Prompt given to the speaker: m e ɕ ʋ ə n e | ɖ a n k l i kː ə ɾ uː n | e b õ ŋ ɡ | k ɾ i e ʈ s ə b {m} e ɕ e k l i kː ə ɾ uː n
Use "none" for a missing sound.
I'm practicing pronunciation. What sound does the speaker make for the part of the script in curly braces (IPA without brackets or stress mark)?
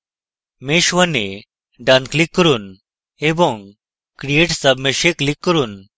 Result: m